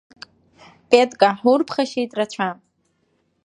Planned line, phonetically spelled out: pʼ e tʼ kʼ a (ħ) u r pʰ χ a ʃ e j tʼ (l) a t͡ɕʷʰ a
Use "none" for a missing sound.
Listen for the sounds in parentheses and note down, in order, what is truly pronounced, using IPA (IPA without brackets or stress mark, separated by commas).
ħ, r